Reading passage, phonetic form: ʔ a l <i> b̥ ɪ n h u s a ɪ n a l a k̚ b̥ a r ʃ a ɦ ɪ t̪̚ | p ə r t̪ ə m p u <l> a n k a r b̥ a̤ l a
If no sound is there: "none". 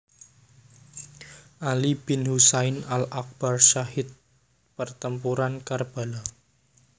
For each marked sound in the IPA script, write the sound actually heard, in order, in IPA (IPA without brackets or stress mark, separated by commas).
i, ɾ